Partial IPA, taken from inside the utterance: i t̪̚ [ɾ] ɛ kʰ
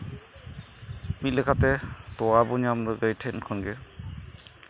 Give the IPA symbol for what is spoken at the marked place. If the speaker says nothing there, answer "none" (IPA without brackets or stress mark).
l